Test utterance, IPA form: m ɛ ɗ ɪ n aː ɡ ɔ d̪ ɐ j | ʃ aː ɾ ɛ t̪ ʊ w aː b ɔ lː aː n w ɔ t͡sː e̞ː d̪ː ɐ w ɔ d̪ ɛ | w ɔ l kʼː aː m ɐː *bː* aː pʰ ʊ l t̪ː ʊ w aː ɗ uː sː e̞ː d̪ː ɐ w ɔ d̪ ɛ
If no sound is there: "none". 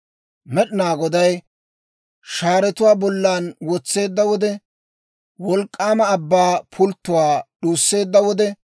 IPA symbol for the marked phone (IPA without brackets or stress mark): bː